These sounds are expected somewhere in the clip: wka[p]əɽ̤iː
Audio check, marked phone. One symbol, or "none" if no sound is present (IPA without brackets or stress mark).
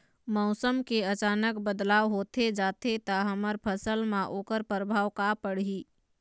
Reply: p